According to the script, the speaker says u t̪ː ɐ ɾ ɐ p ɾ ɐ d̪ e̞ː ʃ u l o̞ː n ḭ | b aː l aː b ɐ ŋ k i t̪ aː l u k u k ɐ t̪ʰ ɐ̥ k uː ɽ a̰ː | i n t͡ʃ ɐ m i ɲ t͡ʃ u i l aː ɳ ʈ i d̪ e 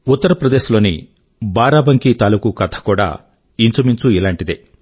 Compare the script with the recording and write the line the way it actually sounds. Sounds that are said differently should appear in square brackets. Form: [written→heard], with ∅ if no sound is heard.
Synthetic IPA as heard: u t̪ː ɐ ɾ ɐ p ɾ ɐ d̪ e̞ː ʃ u l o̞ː n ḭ | b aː [l→ɾ] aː b ɐ ŋ k i t̪ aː l u k u k ɐ t̪ʰ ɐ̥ k uː ɽ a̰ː | i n t͡ʃ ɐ m i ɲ t͡ʃ u i l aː ɳ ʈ i d̪ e